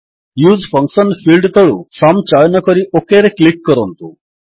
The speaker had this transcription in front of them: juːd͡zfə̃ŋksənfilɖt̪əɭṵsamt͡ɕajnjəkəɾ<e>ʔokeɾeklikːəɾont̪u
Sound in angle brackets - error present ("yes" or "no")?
yes